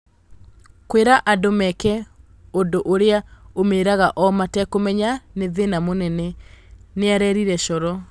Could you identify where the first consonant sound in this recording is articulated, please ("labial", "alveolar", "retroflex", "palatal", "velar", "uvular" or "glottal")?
velar